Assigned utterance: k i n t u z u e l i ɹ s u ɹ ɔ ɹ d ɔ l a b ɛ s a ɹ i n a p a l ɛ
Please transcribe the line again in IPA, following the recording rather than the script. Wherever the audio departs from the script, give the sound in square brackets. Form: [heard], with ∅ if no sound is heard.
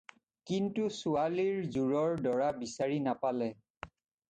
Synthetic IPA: k i n t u [s] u [a] l i ɹ [z] u ɹ ɔ ɹ d ɔ [ɹ] a b [i] s a ɹ i n a p a l ɛ